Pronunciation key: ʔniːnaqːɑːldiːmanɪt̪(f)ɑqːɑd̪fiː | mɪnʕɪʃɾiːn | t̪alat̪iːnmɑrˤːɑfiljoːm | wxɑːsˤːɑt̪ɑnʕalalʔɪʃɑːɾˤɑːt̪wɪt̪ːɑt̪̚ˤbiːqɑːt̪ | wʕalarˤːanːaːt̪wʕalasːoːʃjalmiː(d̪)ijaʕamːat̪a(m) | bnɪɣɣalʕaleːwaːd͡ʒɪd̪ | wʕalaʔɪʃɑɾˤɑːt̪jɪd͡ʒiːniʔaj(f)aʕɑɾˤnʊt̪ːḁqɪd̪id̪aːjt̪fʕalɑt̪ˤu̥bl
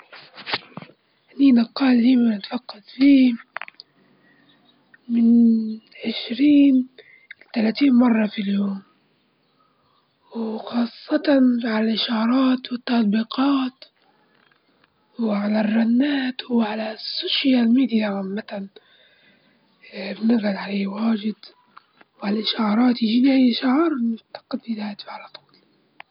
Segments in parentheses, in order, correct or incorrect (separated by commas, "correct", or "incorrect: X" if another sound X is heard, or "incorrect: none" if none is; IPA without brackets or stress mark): correct, correct, incorrect: n, incorrect: ʃ